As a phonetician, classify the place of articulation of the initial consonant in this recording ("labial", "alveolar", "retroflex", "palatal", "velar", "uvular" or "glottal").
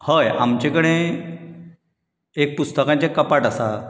glottal